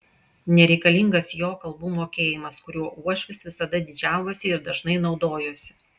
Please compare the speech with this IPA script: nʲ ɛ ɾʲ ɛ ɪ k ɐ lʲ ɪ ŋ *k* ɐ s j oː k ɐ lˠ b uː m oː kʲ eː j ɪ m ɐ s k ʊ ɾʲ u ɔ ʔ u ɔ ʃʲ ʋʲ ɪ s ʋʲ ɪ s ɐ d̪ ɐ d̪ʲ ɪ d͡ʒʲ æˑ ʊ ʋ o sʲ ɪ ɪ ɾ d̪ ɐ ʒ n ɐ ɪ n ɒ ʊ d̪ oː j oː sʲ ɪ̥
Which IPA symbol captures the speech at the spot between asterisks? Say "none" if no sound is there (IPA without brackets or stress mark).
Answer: ɡ